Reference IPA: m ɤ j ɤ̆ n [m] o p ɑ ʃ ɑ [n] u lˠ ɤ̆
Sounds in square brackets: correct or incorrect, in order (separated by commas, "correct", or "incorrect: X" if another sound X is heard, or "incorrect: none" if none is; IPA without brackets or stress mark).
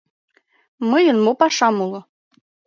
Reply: correct, incorrect: m